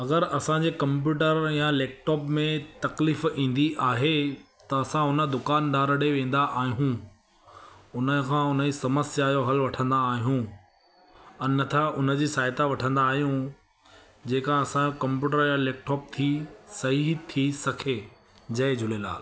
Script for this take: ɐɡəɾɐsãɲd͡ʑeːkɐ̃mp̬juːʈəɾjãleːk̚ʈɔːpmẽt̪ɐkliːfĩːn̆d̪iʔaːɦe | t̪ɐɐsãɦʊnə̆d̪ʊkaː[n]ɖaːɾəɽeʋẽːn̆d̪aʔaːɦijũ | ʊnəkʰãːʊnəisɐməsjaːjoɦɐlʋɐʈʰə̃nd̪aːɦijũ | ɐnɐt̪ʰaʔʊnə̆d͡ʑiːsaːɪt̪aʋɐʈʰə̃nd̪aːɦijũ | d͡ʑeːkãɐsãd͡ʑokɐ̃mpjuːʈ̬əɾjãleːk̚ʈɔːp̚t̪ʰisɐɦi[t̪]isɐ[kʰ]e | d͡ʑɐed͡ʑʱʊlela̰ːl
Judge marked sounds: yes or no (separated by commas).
yes, no, yes